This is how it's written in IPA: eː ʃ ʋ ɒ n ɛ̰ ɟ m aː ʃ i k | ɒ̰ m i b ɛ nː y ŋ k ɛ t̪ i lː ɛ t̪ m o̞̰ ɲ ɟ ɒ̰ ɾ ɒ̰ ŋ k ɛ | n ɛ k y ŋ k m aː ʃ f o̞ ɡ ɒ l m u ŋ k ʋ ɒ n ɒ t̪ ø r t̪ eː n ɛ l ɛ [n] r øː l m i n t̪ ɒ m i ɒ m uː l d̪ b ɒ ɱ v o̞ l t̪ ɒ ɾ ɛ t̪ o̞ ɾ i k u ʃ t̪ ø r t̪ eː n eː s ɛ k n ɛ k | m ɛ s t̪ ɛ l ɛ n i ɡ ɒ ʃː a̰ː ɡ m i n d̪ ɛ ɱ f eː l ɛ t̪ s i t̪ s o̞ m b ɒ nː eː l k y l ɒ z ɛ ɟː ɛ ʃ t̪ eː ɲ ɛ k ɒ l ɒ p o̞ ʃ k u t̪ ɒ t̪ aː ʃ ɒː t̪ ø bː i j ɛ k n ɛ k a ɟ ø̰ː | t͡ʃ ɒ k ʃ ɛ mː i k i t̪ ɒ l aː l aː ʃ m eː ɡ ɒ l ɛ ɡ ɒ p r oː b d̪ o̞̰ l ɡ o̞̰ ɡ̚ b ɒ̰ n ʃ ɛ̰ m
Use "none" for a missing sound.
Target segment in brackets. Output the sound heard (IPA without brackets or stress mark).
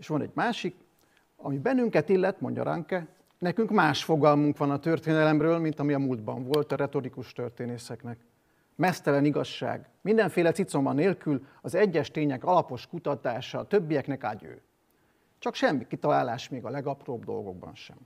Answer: m